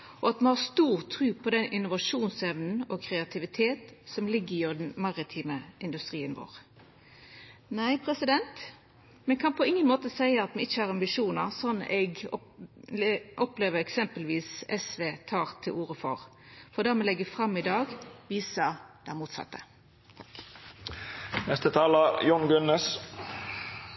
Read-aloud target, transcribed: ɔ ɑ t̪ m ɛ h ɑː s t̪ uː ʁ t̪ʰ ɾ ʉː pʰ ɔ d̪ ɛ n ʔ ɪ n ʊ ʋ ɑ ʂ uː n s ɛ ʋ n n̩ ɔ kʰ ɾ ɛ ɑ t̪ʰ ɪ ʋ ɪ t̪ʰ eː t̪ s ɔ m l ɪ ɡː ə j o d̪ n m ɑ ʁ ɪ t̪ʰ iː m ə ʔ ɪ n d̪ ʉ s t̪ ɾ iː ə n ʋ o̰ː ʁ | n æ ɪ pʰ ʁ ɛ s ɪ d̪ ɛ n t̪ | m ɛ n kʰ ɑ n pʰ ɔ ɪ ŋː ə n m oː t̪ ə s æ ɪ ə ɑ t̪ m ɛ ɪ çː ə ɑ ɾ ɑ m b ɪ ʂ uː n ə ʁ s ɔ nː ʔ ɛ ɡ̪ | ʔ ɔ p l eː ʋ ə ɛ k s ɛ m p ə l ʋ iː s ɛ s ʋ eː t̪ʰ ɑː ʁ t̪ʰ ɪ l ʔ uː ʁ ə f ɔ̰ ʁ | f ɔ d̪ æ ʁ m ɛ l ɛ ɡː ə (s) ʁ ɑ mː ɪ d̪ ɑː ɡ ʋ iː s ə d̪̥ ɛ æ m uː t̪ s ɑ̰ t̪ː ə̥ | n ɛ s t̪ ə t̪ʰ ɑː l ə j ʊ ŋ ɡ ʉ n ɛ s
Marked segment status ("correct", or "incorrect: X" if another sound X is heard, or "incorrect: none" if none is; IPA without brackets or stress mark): incorrect: f